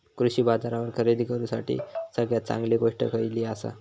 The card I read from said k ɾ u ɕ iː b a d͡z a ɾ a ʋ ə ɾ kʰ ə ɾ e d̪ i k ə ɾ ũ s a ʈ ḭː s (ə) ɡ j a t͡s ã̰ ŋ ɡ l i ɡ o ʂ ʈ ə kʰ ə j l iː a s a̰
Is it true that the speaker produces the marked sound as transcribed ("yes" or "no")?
yes